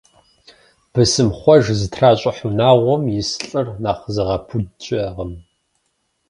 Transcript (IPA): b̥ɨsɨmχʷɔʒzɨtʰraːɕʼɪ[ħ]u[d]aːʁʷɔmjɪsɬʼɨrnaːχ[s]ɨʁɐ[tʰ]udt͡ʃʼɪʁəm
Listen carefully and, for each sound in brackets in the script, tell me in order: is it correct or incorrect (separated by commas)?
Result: correct, incorrect, incorrect, incorrect